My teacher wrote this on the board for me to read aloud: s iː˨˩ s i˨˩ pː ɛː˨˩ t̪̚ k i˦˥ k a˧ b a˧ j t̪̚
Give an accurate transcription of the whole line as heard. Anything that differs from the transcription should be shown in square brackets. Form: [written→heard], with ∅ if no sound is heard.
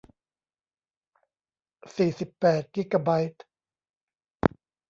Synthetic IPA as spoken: s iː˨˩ s i˨˩ pː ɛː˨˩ t̪̚ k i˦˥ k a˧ b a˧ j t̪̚